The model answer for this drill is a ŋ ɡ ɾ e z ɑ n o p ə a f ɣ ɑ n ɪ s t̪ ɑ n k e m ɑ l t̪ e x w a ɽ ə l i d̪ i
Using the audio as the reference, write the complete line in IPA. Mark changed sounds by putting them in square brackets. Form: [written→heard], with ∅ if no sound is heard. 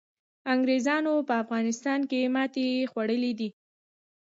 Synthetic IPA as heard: a ŋ ɡ ɾ e z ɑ n o p ə a f ɣ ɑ n ɪ s t̪ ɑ n k e m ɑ [l→∅] t̪ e x w a ɽ ə l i d̪ i